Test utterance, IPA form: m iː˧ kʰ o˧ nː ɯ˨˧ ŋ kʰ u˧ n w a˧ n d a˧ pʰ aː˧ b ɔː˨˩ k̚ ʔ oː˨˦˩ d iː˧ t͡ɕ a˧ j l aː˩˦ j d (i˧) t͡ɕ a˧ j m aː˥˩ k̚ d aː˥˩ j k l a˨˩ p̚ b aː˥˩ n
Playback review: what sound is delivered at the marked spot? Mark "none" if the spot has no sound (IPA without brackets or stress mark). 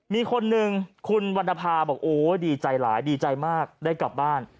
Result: iː˧